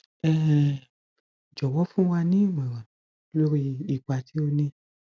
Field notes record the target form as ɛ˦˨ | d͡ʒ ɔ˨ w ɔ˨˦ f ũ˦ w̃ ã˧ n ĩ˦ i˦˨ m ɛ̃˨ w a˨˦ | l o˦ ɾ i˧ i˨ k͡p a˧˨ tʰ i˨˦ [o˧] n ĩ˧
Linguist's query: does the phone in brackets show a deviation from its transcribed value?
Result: no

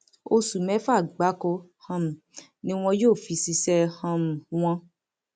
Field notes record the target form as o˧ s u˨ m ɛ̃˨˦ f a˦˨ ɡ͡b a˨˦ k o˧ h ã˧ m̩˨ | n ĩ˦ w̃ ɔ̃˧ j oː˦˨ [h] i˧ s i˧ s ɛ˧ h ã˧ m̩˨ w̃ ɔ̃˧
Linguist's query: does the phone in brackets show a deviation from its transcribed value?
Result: yes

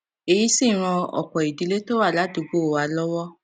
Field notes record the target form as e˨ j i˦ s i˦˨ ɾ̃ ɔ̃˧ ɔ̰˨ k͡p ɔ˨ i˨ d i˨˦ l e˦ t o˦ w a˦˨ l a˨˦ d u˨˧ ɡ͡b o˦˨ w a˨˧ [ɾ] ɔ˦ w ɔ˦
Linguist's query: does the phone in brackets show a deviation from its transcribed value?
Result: yes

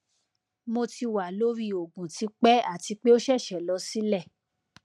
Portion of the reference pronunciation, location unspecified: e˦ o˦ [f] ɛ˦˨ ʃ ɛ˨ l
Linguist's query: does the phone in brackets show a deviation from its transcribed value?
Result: yes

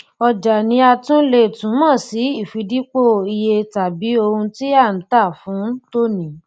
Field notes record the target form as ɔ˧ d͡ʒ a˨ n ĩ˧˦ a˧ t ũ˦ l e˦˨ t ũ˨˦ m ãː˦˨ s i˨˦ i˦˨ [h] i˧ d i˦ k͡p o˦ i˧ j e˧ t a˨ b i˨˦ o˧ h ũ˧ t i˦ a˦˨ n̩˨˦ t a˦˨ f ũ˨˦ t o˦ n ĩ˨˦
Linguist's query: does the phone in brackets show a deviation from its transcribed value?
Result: yes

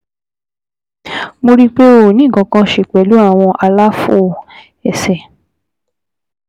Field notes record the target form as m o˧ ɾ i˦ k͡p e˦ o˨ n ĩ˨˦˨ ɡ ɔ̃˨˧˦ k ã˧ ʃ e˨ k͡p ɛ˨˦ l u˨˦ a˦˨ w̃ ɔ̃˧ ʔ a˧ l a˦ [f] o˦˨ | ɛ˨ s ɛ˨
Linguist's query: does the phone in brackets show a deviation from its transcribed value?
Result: no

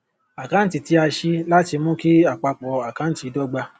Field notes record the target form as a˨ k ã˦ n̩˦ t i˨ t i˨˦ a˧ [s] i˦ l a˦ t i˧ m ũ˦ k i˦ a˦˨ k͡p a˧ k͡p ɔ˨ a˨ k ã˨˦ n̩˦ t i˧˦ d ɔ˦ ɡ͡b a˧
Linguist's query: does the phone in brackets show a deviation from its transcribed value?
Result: yes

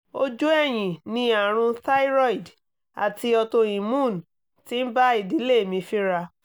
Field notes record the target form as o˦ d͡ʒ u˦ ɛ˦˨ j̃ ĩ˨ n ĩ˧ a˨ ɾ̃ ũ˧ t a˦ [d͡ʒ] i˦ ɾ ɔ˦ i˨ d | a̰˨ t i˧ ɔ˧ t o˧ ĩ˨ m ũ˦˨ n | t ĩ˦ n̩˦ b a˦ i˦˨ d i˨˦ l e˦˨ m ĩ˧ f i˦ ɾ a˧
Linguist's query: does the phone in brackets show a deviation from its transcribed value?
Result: yes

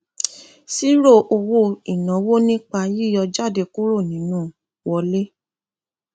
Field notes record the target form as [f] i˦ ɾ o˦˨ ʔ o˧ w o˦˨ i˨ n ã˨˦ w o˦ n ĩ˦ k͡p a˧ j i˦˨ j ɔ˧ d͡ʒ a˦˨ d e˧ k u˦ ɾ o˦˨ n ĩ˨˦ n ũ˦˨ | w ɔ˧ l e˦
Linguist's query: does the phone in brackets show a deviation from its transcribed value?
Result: yes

